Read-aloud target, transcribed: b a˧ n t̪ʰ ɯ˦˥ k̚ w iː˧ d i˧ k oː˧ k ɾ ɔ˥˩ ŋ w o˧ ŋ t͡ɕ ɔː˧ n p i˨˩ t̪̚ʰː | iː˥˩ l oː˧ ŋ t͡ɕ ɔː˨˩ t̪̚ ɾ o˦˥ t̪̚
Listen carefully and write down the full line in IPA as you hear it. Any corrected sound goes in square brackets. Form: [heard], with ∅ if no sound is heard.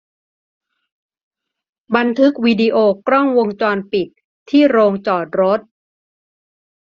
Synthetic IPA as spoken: b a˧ n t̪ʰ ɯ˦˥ k̚ w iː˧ d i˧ [ʔ] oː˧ k ɾ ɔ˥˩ ŋ w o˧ ŋ t͡ɕ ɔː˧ n p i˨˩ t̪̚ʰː | iː˥˩ [ɾ] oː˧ ŋ t͡ɕ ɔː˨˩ t̪̚ ɾ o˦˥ t̪̚